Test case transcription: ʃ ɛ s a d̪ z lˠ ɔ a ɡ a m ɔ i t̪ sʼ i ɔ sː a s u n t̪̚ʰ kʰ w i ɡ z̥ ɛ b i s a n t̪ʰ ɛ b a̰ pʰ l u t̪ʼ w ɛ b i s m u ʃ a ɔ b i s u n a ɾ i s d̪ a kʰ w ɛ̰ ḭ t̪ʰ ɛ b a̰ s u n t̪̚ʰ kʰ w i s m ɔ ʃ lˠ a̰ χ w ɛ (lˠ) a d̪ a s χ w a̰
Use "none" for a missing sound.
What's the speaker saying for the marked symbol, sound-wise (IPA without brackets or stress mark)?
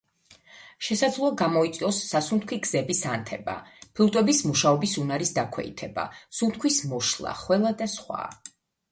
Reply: lˠ